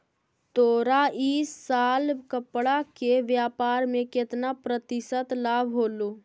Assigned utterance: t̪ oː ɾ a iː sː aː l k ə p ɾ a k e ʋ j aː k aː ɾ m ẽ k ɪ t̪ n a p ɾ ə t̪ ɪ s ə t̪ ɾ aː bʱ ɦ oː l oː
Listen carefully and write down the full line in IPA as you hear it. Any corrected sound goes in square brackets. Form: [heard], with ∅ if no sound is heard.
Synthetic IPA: t̪ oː ɾ a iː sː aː l k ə p [ɽ] a k e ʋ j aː [p] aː ɾ m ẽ k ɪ t̪ n a p ɾ ə t̪ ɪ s ə t̪ [l] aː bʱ ɦ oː l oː